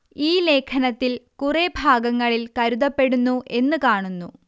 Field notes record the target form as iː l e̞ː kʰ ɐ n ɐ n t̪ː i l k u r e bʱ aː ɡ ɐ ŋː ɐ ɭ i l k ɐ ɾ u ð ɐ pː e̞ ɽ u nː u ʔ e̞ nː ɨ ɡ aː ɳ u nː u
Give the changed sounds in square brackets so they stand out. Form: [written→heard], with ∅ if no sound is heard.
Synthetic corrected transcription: iː l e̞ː kʰ ɐ n ɐ [n→∅] t̪ː i l k u r e bʱ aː ɡ ɐ ŋː ɐ ɭ i l k ɐ ɾ u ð ɐ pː e̞ ɽ u nː u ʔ e̞ nː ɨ [ɡ→k] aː ɳ u nː u